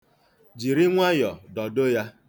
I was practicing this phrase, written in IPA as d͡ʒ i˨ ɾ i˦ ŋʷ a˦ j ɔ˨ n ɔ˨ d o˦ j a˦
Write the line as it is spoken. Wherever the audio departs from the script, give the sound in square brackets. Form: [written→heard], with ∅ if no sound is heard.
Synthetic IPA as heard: d͡ʒ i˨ ɾ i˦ ŋʷ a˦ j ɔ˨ [n→d] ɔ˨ d o˦ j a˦